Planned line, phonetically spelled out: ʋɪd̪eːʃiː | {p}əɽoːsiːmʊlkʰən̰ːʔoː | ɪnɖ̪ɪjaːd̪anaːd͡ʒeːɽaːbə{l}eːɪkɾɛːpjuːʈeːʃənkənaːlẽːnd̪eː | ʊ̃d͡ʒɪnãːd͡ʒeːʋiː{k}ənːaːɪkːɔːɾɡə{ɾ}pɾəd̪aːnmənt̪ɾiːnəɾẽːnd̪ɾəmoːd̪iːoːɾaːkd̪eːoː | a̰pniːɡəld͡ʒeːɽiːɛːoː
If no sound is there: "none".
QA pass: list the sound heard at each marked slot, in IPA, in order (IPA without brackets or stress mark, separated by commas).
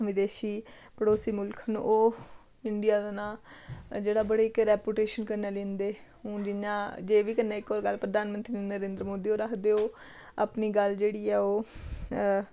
p, ɽ, k, l